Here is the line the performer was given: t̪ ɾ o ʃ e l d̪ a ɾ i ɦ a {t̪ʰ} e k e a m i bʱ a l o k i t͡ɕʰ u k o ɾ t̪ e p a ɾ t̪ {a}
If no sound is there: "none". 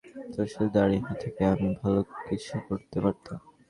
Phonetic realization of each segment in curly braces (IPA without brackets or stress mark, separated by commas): t̪ʰ, a